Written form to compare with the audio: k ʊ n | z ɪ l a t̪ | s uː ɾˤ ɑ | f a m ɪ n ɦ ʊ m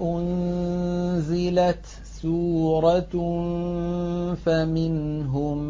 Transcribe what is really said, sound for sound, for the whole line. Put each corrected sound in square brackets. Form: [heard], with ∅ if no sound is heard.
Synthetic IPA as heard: [ʔ] ʊ n | z ɪ l a t̪ | s uː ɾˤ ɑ | f a m ɪ n ɦ ʊ m